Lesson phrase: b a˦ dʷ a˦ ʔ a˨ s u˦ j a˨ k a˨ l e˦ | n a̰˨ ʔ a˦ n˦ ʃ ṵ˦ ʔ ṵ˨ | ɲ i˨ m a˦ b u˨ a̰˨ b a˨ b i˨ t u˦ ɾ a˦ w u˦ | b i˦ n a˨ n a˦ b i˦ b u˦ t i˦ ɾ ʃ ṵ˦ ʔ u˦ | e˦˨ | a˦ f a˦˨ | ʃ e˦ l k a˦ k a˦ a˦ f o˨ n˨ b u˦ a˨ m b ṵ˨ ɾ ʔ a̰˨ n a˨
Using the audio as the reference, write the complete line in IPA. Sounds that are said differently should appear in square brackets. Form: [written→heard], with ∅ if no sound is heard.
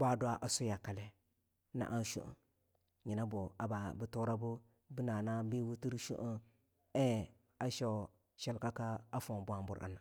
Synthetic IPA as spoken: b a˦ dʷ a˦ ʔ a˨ s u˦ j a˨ k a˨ l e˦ | n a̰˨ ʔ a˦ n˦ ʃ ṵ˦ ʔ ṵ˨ | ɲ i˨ [m→n] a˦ b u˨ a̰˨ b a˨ b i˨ t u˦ ɾ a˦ [w→b] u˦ | b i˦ n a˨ n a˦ b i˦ [b→w] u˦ t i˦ ɾ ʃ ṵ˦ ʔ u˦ | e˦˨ | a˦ [f→ʃ] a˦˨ | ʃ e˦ l k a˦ k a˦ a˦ f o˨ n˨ b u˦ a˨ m b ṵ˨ ɾ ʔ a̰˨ n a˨

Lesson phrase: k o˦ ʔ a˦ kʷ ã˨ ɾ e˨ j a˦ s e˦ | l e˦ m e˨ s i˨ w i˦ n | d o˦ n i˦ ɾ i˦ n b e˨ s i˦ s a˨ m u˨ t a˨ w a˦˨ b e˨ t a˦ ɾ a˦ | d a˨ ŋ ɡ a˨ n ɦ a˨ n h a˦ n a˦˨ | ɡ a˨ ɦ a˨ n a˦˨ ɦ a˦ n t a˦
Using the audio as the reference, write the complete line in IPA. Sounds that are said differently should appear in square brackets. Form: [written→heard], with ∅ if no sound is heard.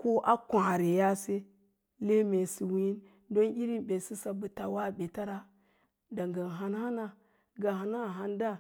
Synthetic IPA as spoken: k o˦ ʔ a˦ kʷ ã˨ ɾ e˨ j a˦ s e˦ | l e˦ m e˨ s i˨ w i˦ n | d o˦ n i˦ ɾ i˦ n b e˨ s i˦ s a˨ [m→b] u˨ t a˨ w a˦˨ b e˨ t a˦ ɾ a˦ | d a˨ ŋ ɡ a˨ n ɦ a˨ n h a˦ n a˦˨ | ɡ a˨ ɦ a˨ n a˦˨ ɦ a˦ n [t→d] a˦

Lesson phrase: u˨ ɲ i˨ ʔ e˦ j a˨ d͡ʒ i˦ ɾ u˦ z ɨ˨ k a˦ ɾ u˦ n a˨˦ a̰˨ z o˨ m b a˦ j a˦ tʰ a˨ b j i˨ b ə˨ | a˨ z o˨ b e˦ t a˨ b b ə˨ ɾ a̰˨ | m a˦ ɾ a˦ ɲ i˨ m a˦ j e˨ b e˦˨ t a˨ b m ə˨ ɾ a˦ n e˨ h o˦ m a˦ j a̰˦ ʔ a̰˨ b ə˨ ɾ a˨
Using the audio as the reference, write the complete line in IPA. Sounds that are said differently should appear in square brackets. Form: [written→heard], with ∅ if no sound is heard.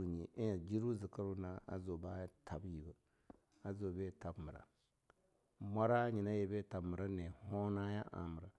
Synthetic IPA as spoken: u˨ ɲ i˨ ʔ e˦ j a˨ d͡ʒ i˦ ɾ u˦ z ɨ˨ k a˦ ɾ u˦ n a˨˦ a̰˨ z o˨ [m→∅] b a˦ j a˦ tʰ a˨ b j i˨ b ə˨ | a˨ z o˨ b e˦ t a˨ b [b→m] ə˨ ɾ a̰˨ | m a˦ ɾ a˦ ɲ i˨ [m→n] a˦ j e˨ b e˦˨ t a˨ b m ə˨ ɾ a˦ n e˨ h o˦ [m→n] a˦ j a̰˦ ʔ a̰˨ [b→m] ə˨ ɾ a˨

